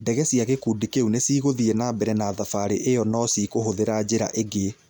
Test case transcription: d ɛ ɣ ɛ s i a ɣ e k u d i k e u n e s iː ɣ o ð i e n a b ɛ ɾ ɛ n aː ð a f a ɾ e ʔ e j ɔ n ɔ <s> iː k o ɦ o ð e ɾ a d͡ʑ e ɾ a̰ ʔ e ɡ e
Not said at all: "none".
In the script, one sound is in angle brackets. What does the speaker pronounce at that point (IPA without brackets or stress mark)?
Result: s